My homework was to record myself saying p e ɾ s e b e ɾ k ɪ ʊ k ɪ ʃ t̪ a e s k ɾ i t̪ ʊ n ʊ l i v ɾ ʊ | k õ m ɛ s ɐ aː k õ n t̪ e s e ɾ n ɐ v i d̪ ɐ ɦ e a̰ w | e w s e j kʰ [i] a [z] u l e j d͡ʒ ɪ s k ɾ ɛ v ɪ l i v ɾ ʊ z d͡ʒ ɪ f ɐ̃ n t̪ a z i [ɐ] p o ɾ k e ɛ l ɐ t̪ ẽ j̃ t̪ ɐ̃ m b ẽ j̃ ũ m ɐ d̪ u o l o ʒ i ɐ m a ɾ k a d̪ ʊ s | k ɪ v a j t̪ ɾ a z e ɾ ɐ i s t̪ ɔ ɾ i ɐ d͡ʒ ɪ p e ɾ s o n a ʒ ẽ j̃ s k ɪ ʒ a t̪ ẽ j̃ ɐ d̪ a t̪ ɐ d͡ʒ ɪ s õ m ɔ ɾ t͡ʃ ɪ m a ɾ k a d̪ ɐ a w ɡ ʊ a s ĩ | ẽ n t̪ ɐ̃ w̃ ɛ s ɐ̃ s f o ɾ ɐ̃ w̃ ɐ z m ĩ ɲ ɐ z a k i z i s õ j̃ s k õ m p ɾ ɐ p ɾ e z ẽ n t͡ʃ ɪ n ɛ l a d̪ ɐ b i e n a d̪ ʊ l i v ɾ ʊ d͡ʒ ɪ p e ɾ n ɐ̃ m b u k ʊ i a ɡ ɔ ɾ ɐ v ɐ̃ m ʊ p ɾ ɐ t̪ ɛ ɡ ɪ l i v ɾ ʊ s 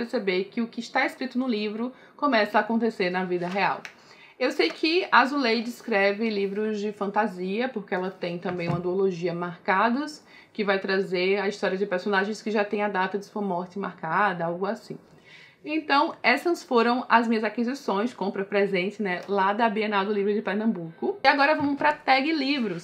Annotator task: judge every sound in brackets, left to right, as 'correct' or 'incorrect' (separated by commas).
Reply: incorrect, correct, correct